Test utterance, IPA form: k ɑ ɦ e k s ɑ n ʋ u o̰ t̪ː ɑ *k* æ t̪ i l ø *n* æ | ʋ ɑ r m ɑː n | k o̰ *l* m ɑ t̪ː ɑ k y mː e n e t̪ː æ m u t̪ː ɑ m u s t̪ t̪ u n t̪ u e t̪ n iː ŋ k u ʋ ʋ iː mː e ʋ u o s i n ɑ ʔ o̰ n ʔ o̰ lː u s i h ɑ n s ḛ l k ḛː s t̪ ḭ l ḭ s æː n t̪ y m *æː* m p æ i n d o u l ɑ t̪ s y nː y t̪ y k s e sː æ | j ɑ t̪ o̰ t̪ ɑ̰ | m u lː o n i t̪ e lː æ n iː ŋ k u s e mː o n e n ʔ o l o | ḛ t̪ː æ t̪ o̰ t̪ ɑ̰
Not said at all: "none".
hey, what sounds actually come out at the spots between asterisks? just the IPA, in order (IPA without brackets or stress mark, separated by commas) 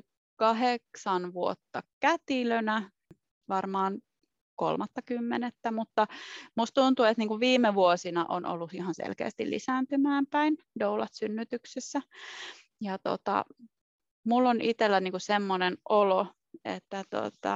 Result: k, n, l, æː